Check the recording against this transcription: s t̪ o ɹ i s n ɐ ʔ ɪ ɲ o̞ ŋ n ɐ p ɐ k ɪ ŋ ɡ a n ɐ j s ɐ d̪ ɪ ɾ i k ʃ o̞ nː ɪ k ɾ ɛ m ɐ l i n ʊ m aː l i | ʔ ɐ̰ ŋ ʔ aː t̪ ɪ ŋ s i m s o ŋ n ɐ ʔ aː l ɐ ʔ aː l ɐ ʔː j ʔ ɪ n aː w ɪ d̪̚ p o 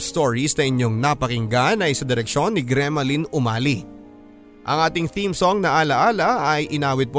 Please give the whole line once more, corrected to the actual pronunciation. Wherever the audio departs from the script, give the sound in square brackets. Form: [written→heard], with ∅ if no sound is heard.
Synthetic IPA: s t̪ o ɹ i s n ɐ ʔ ɪ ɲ o̞ ŋ n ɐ p ɐ k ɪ ŋ ɡ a n ɐ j s ɐ d̪ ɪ ɾ [i→ɛ] k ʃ o̞ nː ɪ [k→ɡ] ɾ ɛ m ɐ l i n ʊ m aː l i | ʔ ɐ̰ ŋ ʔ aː t̪ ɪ ŋ [s→θ] i m s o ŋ n ɐ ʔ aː l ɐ ʔ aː l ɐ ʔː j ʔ ɪ n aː w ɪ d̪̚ p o